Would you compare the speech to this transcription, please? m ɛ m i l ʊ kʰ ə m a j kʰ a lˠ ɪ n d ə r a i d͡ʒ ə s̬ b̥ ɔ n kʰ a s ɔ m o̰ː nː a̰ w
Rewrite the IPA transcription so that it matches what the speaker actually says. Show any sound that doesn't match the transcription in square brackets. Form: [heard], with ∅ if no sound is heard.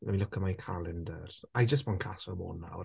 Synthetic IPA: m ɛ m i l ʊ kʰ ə m a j kʰ a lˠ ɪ n d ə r a [j] d͡ʒ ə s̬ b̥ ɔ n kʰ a s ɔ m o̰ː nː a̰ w

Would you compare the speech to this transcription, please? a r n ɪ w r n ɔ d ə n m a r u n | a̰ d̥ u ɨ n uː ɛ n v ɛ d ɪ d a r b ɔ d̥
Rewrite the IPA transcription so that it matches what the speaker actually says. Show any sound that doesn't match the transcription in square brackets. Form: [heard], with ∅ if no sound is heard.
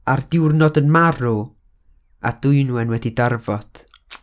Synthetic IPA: a r [d] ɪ w r n ɔ d ə n m a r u [∅] | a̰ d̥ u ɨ n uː ɛ n [w] ɛ d [i] d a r [v] ɔ d̥

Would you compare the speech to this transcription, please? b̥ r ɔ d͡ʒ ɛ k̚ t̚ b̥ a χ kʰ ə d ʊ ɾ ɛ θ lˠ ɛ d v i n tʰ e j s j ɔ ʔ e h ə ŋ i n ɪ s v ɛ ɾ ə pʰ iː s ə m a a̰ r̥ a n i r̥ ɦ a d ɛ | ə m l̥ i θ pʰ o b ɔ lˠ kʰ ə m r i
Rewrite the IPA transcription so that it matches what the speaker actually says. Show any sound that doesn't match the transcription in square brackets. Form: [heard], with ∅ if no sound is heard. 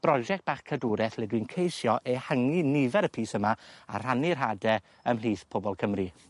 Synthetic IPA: b̥ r ɔ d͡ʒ ɛ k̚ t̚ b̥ a χ kʰ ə d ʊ ɾ ɛ θ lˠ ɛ d [w] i n [kʰ] e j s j ɔ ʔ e h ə ŋ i n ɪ [∅] v ɛ ɾ ə pʰ iː s ə m a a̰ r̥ a n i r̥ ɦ a d ɛ | ə m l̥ [iː] θ pʰ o b ɔ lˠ kʰ ə m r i

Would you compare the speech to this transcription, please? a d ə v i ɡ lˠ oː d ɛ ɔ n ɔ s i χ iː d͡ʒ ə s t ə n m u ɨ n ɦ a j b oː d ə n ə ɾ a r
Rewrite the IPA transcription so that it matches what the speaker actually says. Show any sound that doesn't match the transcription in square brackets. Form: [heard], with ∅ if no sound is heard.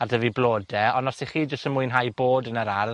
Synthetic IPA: a d ə v i [b] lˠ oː d ɛ ɔ n ɔ s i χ iː d͡ʒ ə s t ə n m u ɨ n ɦ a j b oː d ə n ə ɾ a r

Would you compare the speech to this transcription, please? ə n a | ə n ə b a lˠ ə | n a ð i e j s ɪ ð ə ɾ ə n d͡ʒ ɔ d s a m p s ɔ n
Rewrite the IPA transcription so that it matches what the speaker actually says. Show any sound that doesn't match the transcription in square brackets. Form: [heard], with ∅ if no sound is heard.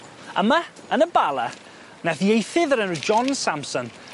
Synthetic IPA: ə [m] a | ə n ə b a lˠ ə | n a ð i e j [θ] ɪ ð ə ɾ ə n d͡ʒ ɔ [n] s a m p s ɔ n

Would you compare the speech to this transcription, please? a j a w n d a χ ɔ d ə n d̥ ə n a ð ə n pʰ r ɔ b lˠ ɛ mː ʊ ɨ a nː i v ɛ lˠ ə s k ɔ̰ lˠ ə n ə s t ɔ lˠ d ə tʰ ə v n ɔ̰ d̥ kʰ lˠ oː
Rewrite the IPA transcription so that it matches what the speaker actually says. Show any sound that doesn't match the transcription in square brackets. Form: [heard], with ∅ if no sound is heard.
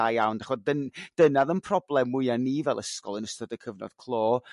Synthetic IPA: a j a w n d a χ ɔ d ə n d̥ ə n a ð ə n pʰ r ɔ b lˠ ɛ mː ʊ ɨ a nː i v ɛ lˠ ə s k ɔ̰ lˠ ə n ə s t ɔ [∅] d ə [kʰ] ə v n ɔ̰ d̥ kʰ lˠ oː

